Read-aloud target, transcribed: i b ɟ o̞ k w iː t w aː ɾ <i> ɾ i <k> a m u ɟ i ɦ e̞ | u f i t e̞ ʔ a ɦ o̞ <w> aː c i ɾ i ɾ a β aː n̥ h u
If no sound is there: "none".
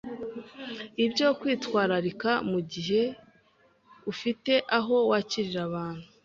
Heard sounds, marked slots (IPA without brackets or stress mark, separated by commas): a, k, w